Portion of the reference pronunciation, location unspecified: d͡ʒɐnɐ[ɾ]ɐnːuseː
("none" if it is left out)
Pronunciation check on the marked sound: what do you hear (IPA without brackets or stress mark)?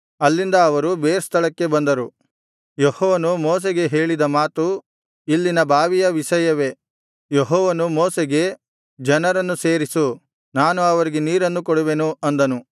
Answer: ɾ